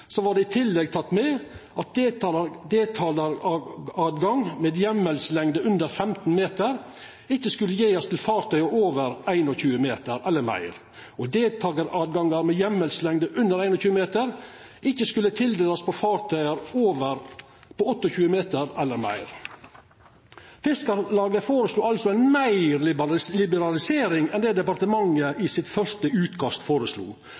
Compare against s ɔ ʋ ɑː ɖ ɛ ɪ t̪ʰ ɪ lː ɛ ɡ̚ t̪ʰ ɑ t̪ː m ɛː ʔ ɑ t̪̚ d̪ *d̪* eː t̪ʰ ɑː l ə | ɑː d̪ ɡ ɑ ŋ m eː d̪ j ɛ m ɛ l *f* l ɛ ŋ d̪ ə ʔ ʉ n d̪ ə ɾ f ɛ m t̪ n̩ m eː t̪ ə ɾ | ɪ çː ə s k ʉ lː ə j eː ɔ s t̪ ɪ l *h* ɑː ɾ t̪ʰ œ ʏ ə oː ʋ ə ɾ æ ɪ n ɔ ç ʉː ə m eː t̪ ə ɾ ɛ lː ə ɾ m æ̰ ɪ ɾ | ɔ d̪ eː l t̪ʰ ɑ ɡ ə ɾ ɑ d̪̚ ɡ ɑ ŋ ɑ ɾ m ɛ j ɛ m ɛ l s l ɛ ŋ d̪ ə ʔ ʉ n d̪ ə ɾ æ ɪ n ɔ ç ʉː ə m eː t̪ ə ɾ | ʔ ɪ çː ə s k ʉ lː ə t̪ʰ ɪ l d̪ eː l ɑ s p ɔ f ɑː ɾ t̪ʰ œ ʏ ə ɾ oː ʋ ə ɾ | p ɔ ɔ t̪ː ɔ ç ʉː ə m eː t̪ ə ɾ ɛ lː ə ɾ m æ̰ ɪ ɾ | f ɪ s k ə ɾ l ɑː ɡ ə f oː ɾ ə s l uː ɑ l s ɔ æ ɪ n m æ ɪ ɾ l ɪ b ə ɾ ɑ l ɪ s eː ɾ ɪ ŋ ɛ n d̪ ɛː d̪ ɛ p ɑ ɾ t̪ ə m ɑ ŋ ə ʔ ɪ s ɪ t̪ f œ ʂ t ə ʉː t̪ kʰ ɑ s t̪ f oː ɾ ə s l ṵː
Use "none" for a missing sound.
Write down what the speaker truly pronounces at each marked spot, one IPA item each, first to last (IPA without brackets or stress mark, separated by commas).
d̪, s, f